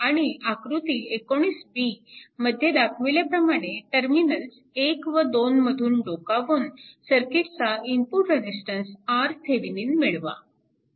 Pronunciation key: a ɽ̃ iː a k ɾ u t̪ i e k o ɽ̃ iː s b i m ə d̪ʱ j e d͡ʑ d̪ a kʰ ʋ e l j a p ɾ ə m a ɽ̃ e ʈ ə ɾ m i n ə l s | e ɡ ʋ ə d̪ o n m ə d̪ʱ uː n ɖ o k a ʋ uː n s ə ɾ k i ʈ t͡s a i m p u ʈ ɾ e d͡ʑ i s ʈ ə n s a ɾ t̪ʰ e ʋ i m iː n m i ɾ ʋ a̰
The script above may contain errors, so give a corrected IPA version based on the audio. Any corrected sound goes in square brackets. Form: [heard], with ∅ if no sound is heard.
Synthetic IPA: a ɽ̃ [i] a k ɾ u t̪ i e k o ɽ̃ iː s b i m ə d̪ʱ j e [∅] d̪ a kʰ ʋ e l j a p ɾ ə m a ɽ̃ e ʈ ə ɾ m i n ə l s | e [k] ʋ ə d̪ o n m ə d̪ʱ uː n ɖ o k a ʋ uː n s ə ɾ k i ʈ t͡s a i m p u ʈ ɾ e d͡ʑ i s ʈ ə n s a ɾ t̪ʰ e ʋ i [n] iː n m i [ɭ] ʋ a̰